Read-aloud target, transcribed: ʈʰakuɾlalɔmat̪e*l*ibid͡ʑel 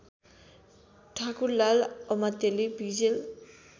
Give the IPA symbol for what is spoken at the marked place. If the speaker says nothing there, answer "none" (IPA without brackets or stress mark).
l